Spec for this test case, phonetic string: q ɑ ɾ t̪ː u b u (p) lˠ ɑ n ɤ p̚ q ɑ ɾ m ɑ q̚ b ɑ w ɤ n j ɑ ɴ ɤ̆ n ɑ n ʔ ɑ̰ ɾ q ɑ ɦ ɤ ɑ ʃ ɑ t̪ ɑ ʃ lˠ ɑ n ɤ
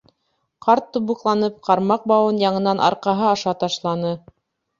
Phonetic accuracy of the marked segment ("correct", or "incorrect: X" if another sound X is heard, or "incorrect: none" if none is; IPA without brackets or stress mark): incorrect: q